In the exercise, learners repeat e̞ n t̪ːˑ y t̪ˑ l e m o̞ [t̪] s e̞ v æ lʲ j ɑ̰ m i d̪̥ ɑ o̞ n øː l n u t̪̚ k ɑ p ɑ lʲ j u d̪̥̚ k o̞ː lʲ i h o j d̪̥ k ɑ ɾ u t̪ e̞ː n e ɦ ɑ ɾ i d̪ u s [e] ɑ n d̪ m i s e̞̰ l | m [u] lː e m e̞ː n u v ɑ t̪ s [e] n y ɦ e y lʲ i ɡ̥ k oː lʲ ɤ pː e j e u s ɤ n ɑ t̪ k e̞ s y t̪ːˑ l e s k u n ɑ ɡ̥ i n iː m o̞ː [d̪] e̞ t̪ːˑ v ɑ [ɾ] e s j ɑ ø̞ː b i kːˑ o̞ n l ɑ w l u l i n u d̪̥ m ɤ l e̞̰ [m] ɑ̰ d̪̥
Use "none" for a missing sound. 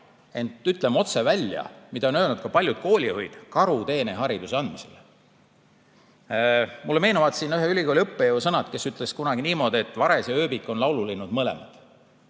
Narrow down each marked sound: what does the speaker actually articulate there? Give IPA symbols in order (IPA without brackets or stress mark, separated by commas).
t̪, e, u, i, d̪, ɾ, m